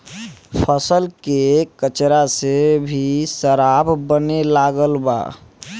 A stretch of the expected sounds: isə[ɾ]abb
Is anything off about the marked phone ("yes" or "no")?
no